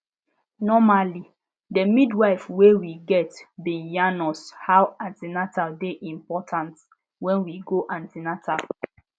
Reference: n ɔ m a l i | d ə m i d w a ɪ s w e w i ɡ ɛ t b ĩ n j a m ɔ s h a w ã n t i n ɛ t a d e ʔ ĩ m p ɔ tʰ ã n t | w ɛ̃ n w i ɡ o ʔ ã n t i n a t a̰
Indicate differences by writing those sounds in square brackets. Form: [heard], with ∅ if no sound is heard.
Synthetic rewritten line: n ɔ m a l i | d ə m i d w a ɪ [f] w e w i ɡ ɛ t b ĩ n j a [n] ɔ s h a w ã n t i n [a] t a d e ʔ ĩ m p ɔ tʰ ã n t | w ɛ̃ n w i ɡ o ʔ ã n t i n a t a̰